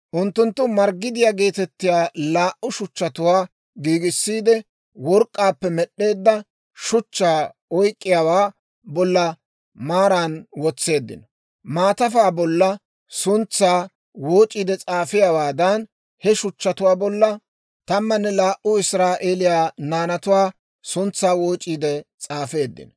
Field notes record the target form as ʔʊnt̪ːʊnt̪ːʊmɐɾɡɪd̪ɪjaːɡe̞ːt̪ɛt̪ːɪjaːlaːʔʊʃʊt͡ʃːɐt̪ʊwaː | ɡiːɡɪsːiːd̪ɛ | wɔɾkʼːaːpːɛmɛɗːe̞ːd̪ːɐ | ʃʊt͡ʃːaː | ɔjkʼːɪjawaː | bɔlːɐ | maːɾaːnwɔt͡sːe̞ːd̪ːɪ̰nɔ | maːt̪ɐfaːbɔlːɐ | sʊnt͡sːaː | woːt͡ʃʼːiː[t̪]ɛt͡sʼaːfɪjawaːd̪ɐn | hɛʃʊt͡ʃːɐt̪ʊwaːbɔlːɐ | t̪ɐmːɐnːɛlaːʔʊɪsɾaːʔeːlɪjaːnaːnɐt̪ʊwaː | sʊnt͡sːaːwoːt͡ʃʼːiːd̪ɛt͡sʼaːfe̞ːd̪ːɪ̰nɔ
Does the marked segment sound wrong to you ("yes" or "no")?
yes